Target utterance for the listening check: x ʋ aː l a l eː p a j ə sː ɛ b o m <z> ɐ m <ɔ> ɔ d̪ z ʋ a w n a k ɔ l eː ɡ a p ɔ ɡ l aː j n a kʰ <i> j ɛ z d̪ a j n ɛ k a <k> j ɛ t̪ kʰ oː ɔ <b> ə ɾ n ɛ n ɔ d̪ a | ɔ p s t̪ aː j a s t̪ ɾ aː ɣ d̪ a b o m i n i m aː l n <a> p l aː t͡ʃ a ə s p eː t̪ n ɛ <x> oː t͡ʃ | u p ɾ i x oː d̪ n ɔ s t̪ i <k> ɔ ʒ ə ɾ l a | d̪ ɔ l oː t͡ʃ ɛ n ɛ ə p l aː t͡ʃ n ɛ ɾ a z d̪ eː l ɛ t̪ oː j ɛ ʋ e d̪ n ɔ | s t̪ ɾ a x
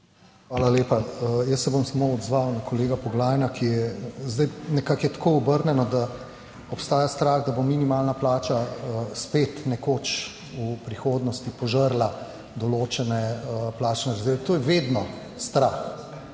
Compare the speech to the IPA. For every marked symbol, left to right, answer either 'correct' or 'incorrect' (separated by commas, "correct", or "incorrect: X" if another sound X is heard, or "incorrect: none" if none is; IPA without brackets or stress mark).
incorrect: s, incorrect: o, correct, correct, correct, correct, incorrect: k, incorrect: p